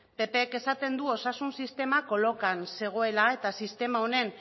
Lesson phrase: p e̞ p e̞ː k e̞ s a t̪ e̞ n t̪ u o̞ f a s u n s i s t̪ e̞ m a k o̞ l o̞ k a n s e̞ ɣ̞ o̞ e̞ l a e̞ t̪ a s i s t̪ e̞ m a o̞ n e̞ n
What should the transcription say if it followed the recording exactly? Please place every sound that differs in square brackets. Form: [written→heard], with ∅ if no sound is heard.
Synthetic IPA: p e̞ p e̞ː k e̞ s a t̪ e̞ n [t̪→d̪] u o̞ [f→s] a s u n s i s t̪ e̞ m a k o̞ l o̞ k a n s e̞ ɣ̞ o̞ e̞ l a e̞ t̪ a s i s t̪ e̞ m a o̞ n e̞ n